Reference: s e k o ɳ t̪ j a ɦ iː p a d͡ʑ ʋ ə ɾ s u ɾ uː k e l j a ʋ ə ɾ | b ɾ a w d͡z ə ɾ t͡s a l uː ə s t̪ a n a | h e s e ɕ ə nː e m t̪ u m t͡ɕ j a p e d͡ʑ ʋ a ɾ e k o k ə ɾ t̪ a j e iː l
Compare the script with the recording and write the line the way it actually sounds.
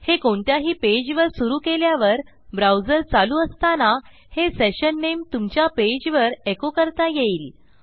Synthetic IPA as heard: h e k o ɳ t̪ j a ɦ iː p e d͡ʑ ʋ ə ɾ s u ɾ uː k e l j a ʋ ə ɾ | b ɾ a w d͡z ə ɾ t͡s a l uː ə s t̪ a n a | h e s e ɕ ə nː e m t̪ u m t͡ɕ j a p e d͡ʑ ʋ ə ɾ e k o k ə ɾ t̪ a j e iː l